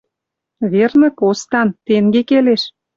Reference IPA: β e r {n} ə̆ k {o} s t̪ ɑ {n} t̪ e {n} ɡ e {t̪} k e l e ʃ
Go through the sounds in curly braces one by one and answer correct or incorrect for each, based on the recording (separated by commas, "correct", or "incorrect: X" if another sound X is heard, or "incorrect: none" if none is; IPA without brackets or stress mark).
correct, correct, correct, incorrect: ŋ, incorrect: none